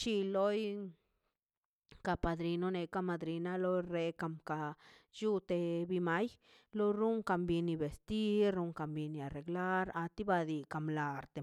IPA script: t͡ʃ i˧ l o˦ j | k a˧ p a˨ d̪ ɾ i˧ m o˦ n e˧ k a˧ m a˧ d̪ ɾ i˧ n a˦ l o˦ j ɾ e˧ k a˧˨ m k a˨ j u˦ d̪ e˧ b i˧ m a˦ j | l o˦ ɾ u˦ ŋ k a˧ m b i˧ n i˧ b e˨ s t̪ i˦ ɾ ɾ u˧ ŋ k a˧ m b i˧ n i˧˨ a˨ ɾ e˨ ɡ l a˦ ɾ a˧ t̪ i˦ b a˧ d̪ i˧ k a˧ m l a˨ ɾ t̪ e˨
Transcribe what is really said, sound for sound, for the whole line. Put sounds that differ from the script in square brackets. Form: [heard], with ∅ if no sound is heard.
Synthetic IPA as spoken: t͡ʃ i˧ l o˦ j | k a˧ p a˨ d̪ ɾ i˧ [n] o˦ n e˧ k a˧ m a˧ d̪ ɾ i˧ n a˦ l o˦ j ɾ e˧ k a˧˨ m k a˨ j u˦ [t̪] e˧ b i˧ m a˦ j | l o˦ ɾ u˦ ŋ k a˧ m b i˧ n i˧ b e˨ s t̪ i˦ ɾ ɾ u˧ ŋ k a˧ m b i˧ n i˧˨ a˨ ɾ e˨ ɡ l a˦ ɾ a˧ t̪ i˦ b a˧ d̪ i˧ k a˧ m l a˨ ɾ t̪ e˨